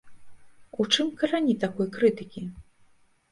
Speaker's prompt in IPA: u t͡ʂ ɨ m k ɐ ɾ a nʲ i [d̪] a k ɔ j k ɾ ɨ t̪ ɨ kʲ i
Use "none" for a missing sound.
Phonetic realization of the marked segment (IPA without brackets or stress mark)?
t̪